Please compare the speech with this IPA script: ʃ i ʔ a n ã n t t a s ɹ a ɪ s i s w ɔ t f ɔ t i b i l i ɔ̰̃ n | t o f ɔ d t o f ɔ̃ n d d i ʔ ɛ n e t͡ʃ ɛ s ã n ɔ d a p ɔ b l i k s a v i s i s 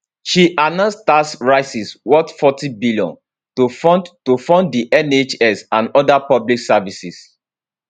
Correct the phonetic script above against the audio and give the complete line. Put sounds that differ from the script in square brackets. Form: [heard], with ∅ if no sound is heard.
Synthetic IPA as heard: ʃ i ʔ a n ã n [s] t a s ɹ a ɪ s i s w ɔ t f ɔ t i b i l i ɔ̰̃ n | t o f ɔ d t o f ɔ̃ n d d i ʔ ɛ n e t͡ʃ ɛ s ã n ɔ d a p ɔ b l i k s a v i s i s